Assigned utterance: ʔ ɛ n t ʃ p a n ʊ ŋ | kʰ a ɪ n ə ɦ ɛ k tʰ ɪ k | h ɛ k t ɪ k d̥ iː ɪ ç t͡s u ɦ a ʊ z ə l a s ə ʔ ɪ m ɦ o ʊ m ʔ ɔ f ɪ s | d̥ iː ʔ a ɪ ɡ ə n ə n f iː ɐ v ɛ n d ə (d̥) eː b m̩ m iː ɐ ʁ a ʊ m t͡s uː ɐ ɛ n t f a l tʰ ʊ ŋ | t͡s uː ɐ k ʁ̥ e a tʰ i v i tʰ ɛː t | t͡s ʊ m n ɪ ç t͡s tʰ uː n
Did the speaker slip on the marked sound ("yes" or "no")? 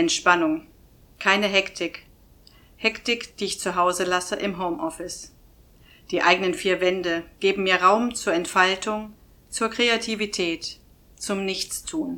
yes